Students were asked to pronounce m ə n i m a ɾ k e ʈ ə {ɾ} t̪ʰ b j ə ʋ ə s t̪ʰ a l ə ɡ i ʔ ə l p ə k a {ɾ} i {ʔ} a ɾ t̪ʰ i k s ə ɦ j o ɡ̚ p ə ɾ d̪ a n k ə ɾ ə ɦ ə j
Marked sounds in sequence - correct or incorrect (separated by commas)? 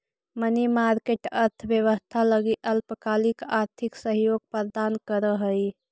correct, incorrect, incorrect